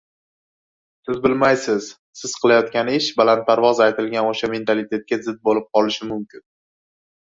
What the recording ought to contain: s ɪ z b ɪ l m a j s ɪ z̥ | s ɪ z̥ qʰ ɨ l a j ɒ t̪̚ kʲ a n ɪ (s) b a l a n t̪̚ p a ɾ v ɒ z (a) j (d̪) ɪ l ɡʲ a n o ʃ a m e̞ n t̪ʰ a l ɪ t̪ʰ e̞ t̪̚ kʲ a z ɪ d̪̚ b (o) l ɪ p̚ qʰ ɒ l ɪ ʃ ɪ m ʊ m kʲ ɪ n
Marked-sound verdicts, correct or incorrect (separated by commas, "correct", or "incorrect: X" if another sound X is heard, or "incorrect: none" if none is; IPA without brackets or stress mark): incorrect: ʃ, correct, incorrect: t̪, correct